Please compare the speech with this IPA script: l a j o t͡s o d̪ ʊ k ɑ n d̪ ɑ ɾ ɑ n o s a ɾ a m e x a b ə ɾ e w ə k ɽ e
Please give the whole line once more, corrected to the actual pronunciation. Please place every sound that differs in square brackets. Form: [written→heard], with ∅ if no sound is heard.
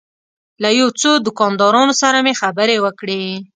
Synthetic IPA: l a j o t͡s o d̪ ʊ k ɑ n d̪ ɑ ɾ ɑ n o s a ɾ a m e x a b ə ɾ e w ə k ɽ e

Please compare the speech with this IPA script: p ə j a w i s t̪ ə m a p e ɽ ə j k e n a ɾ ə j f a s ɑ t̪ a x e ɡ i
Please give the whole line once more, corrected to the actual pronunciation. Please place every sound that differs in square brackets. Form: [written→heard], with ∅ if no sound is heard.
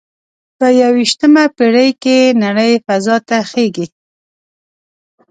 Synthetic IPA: p ə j a w i [s→ʃ] t̪ ə m a p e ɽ ə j k e n a [ɾ→ɽ] ə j f a [s→z] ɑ t̪ a x e ɡ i

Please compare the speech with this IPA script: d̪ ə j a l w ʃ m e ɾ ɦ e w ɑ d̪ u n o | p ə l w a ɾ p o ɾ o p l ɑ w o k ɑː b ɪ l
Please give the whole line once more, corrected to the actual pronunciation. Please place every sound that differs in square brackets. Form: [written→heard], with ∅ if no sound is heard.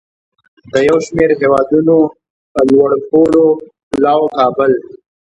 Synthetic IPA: d̪ ə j a [l→∅] w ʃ m e ɾ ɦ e w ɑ d̪ u n o | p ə l w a [ɾ→ɽ] p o [ɾ→l] o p l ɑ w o k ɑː b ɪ l

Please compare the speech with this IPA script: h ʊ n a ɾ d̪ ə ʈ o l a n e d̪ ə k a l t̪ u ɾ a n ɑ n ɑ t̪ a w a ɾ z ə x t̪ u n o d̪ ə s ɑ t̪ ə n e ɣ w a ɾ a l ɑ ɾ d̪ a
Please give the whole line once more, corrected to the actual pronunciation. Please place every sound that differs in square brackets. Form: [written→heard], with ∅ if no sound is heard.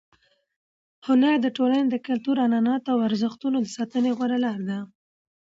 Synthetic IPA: h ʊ n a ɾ d̪ ə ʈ o l a n e d̪ ə k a l t̪ u ɾ a n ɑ n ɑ t̪ a w a ɾ z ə x t̪ u n o d̪ ə s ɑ t̪ ə n e ɣ w a ɾ a l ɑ ɾ d̪ a

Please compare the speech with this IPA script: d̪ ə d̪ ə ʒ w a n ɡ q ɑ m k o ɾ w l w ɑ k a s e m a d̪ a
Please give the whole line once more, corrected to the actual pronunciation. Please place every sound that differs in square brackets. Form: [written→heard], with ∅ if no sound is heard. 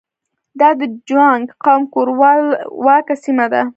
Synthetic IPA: d̪ [ə→ɑ] d̪ ə [ʒ→d͡ʒ] w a [n→ŋ] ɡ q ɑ m k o ɾ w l w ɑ k a s [e→i] m a d̪ a

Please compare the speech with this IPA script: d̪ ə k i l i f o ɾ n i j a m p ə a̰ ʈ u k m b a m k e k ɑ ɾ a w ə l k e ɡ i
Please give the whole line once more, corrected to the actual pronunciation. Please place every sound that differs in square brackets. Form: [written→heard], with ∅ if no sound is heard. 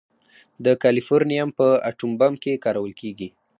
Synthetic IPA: d̪ ə k [i→a] l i f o ɾ n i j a m p ə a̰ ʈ u [k→∅] m b a m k e k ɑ ɾ a w ə l k e ɡ i

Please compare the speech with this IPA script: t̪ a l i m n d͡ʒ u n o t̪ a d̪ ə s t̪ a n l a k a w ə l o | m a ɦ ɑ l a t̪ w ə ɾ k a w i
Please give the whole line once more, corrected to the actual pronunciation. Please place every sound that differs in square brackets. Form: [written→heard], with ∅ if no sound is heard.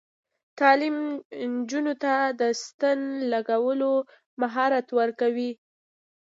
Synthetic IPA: t̪ [a→ɑ] l i m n d͡ʒ u n o t̪ a d̪ ə s t̪ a n l a [k→ɡ] a w ə l o | m a ɦ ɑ [l→ɾ] a t̪ w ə ɾ k a w i

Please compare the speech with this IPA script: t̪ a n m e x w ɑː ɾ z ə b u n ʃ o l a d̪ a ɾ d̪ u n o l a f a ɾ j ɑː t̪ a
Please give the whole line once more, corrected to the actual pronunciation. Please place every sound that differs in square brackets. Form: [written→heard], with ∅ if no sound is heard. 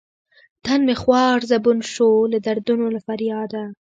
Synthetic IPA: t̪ a n m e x w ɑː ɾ z [ə→a] b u n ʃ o l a d̪ a ɾ d̪ u n o l a f a ɾ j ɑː [t̪→d̪] a

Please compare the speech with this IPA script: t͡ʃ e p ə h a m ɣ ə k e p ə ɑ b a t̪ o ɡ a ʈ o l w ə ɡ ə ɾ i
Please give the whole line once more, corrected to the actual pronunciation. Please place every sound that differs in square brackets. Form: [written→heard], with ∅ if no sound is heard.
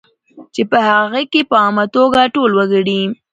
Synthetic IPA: t͡ʃ e p ə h a [m→∅] ɣ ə k e p ə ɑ [b→m] a t̪ o ɡ a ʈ o l w ə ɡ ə [ɾ→ɽ] i

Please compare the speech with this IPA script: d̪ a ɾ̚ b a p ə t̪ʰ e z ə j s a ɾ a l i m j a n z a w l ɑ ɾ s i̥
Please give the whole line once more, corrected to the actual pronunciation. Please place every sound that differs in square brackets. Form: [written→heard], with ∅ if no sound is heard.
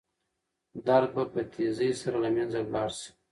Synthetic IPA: d̪ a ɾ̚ b a p ə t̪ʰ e z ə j s a ɾ a l [i→a] m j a n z a w l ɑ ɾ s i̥

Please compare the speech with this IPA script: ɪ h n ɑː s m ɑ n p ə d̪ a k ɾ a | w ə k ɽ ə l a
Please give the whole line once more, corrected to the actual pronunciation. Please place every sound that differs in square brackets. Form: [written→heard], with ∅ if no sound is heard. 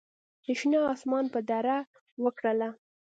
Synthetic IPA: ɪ [h→ʃ] n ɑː s m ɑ n p ə d̪ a [k→∅] ɾ a | w ə k ɽ ə l a

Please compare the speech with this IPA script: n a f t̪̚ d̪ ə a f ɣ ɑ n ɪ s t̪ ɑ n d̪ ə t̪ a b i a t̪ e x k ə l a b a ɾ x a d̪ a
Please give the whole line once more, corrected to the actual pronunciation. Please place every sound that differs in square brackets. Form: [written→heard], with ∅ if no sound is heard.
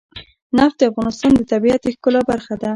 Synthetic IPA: n a f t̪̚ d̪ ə a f ɣ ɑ n ɪ s t̪ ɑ n d̪ ə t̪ a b i a t̪ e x k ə l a b a ɾ x a d̪ a

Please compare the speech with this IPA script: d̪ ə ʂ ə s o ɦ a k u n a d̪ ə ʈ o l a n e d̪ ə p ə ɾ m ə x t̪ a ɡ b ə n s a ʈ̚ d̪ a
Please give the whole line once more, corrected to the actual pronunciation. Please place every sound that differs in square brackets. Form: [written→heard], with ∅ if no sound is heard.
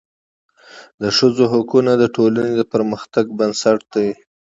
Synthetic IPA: d̪ ə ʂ ə [s→z] o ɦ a k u n a d̪ ə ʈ o l a n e d̪ ə p ə ɾ m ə x t̪ a ɡ b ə n s a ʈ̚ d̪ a

